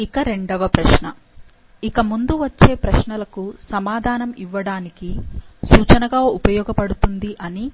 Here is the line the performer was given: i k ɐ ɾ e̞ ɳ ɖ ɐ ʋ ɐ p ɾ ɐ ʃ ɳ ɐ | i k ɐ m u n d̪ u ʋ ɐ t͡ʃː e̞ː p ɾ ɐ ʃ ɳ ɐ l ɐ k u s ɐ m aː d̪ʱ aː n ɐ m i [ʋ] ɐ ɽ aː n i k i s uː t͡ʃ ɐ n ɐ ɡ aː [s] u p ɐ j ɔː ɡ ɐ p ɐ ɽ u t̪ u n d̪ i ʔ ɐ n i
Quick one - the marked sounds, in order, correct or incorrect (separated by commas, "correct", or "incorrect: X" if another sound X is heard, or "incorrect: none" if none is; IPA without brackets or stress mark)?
incorrect: ʋː, incorrect: none